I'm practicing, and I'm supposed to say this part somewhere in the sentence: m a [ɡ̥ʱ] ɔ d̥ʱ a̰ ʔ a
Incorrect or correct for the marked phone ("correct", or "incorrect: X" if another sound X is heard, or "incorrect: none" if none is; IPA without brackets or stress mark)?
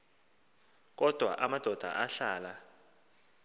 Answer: incorrect: d̥ʱ